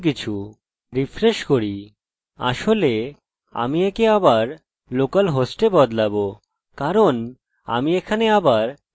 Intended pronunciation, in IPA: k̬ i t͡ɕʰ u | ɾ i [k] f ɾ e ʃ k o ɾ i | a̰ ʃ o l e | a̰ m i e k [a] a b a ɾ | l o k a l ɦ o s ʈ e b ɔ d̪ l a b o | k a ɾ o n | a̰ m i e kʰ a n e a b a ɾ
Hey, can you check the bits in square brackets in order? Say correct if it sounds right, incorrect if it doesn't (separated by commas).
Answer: incorrect, incorrect